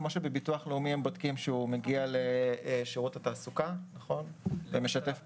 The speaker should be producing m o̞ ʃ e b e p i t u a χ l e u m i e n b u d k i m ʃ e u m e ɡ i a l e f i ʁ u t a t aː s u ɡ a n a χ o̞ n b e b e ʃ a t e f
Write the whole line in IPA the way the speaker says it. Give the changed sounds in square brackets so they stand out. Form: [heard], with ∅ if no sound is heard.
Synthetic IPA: m o̞ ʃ e b e [b] i t u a χ l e u m i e [m] b [o] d k i m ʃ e u m e ɡ i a l e [ʃ] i ʁ u t a t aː s u [k] a n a χ o̞ n [v] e [m] e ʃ a t e f

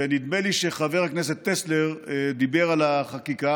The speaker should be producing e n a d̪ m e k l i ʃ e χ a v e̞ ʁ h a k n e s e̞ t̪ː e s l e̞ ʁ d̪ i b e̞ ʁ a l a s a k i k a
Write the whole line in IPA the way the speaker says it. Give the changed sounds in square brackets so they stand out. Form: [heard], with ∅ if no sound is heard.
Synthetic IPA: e n [i] d̪ m e [∅] l i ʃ e χ a v e̞ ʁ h a k n e s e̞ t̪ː e s l e̞ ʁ d̪ i b e̞ ʁ a l a [χ] a k i k a

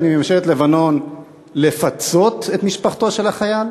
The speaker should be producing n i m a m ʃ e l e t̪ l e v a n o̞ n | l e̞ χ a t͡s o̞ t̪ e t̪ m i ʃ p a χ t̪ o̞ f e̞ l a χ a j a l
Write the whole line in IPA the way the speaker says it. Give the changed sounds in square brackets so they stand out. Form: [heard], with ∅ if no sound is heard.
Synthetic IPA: n i m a m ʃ e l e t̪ l e v a n o̞ n | l e̞ [f] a t͡s o̞ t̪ e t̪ m i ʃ p a χ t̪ o̞ [ʃ] e̞ l a χ a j a l

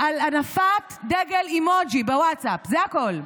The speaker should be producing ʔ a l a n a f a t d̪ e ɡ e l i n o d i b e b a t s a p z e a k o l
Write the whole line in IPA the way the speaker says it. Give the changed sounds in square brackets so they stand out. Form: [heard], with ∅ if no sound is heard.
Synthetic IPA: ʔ a l a n a f a t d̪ e ɡ e l i [m] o [d͡ʒ] i b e [w] a t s a p z e a k o l

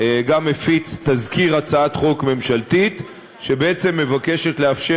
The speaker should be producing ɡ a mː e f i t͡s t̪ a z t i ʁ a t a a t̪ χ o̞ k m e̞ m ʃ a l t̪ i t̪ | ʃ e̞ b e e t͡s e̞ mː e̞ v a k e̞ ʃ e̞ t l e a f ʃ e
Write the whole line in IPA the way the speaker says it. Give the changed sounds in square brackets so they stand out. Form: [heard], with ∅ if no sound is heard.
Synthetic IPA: ɡ a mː e f i t͡s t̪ a z [k] i ʁ a [t͡s] a a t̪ χ o̞ k m e̞ m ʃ a l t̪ i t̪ | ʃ e̞ b e e t͡s e̞ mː e̞ v a k e̞ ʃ e̞ t l e a f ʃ e

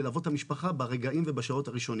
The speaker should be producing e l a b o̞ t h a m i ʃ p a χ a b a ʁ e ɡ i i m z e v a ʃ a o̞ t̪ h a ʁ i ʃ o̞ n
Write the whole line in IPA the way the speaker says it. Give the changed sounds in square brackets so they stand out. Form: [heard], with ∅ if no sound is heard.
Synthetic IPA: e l a [v] o̞ t h a m i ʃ p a χ a b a ʁ e ɡ [a] i m [v] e [b] a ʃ a o̞ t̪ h a ʁ i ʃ o̞ n

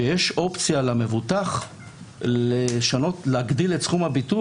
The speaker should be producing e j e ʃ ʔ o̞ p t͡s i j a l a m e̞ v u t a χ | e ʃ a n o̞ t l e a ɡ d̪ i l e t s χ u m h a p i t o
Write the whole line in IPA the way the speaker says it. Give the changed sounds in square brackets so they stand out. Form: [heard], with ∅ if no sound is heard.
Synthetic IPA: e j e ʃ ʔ o̞ p t͡s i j a l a m e̞ v u t a χ | e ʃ a n o̞ t l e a ɡ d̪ i l e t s χ u m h a [b] i t [u]

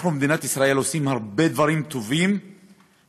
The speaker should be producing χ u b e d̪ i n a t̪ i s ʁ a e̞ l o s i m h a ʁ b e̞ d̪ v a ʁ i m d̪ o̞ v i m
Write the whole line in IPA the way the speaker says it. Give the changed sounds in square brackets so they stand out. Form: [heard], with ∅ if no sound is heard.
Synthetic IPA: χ u [m] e d̪ i n a t̪ i s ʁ a e̞ l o s i m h a ʁ b e̞ d̪ v a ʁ i m [t̪] o̞ v i m

